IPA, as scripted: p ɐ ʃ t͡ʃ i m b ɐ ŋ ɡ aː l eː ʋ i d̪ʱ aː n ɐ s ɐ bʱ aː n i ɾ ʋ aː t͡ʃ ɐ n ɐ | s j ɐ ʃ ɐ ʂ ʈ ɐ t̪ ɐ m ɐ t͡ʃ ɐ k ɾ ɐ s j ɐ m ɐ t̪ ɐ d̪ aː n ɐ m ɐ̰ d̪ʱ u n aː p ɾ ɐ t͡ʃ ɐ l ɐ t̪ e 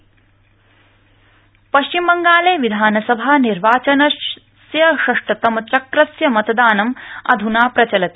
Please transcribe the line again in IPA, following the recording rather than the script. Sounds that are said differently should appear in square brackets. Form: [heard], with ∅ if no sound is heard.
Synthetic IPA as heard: p ɐ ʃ t͡ʃ i m b ɐ ŋ ɡ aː l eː ʋ i d̪ʱ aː n ɐ s ɐ bʱ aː n i ɾ ʋ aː t͡ʃ ɐ n ɐ | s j ɐ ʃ ɐ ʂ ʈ ɐ t̪ ɐ m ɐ t͡ʃ ɐ k ɾ ɐ s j ɐ m ɐ t̪ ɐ d̪ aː n ɐ m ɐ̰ d̪ʱ u n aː p ɾ ɐ t͡ʃ ɐ l ɐ t̪ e